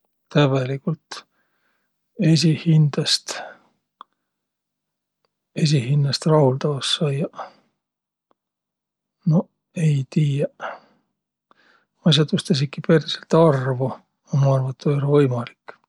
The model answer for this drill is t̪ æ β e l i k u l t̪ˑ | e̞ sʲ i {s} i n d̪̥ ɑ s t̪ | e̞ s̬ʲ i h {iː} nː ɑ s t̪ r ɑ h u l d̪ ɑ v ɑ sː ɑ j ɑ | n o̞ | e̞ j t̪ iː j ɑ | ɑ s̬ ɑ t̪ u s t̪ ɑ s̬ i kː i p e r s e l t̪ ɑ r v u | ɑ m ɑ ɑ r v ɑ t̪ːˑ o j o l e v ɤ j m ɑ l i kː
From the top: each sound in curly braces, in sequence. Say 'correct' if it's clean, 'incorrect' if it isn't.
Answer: incorrect: h, incorrect: i

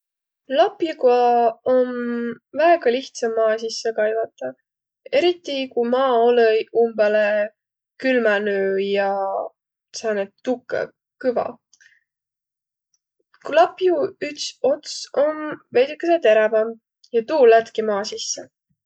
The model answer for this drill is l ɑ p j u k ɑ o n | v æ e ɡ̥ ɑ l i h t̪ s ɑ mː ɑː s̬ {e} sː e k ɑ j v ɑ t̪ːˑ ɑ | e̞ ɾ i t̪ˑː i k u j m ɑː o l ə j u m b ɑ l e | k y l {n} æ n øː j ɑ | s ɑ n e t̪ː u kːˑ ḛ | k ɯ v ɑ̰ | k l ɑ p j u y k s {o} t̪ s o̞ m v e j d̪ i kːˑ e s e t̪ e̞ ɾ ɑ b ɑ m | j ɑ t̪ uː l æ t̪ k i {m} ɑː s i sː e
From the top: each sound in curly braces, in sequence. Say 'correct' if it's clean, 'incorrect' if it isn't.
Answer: incorrect: i, incorrect: m, correct, correct

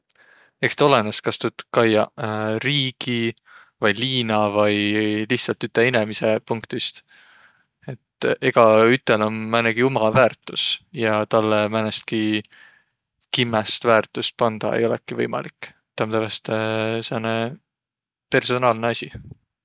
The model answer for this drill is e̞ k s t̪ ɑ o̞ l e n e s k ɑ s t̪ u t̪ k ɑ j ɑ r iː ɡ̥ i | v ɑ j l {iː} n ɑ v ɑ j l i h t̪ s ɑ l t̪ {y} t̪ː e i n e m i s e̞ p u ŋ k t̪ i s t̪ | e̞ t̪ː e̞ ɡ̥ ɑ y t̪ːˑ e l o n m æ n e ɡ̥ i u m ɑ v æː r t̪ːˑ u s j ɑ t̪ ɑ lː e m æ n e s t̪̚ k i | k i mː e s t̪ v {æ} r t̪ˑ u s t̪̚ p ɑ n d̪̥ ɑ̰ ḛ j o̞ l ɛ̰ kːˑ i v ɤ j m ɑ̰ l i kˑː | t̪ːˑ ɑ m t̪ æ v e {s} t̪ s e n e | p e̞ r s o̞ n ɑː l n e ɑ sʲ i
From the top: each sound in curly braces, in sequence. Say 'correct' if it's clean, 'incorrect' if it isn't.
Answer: correct, correct, incorrect: æː, correct

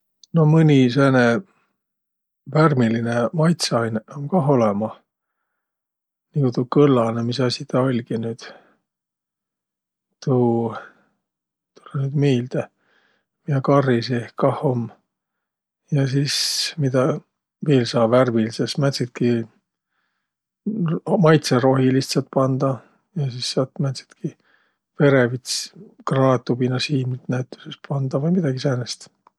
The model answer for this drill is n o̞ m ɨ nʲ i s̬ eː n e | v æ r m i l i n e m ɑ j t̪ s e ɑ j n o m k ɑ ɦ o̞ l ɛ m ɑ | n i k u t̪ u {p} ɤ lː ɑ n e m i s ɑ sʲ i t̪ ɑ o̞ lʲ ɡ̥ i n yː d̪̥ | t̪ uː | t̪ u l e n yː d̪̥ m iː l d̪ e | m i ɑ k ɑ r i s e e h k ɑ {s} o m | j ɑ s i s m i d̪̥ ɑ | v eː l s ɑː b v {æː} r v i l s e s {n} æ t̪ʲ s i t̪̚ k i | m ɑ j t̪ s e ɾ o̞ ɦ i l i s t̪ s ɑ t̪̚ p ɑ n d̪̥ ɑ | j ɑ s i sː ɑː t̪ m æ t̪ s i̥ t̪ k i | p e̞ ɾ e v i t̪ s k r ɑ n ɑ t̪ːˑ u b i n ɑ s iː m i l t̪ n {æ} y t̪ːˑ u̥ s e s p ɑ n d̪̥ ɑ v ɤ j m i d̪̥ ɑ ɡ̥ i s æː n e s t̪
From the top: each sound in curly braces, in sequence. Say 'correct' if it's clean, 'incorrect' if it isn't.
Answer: incorrect: k, incorrect: h, incorrect: æ, incorrect: m, correct

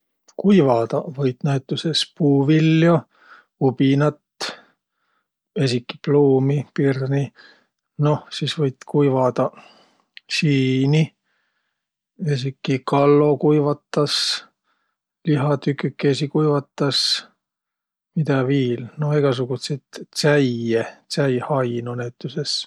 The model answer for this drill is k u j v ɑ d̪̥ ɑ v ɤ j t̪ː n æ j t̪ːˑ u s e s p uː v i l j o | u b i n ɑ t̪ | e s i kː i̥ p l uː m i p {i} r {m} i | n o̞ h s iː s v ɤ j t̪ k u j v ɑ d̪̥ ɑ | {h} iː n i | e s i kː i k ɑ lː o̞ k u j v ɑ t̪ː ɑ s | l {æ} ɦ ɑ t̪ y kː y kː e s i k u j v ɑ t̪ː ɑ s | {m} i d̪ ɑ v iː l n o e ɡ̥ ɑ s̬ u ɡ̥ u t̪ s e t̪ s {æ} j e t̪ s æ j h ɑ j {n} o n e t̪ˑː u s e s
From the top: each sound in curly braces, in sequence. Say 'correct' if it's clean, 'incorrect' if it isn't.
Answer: correct, incorrect: n, incorrect: s, incorrect: i, correct, correct, correct

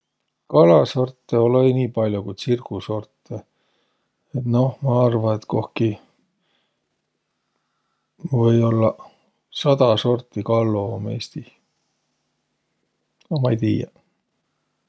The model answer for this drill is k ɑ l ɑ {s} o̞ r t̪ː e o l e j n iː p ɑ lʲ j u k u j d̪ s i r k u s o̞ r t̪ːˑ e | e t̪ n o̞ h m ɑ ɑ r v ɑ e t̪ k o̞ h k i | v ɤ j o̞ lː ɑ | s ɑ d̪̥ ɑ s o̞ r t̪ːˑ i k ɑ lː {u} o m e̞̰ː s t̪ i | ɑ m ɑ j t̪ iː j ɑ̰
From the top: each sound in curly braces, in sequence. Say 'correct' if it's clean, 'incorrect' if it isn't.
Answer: correct, incorrect: o

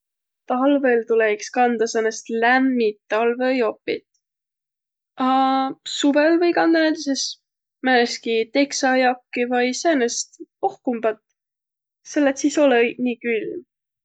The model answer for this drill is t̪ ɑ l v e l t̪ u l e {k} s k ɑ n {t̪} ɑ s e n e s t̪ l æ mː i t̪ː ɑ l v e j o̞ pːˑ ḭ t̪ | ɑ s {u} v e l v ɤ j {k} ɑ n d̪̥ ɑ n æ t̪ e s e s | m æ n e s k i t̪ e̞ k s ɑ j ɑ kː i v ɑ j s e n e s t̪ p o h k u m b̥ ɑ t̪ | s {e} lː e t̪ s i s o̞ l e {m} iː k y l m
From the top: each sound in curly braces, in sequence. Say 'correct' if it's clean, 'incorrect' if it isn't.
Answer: correct, incorrect: d̪, correct, correct, correct, incorrect: n

